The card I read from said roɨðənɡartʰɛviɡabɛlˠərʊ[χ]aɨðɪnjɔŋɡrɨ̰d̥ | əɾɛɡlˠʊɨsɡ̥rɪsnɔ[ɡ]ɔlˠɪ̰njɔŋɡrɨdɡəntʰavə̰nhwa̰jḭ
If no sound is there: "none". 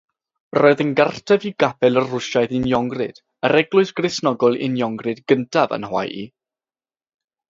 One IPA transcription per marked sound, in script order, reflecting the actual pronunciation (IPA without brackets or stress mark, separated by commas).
ʃ, ɡ